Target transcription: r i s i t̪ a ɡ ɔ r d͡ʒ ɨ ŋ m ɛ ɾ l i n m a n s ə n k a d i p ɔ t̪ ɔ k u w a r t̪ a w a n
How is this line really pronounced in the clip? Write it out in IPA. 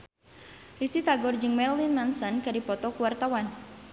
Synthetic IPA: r i s i t̪ a ɡ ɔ r d͡ʒ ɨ ŋ m ɛ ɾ l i n m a n s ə n k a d i p ɔ t̪ ɔ k u w a r t̪ a w a n